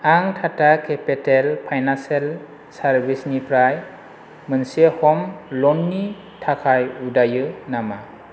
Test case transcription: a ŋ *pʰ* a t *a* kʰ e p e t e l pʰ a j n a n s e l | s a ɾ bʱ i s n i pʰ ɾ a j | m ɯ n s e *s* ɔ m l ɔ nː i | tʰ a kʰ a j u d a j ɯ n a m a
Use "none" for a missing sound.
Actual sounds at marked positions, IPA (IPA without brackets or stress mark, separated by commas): tʰ, a, h